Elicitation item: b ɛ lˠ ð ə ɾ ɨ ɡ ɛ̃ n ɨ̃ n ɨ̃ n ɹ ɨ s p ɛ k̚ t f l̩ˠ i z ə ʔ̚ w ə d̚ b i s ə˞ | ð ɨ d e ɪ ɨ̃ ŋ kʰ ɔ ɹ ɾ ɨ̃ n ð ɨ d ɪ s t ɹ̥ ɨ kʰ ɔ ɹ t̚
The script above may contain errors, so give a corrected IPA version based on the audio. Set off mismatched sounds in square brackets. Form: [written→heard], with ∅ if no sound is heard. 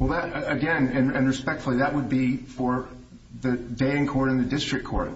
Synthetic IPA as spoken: [b→w] ɛ lˠ ð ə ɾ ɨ ɡ ɛ̃ n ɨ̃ n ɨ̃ n ɹ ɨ s p ɛ k̚ t f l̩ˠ i [z→ð] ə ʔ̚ w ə d̚ b i [s→f] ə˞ | ð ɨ d e ɪ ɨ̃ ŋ kʰ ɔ ɹ ɾ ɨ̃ n ð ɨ d ɪ s t ɹ̥ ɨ kʰ ɔ ɹ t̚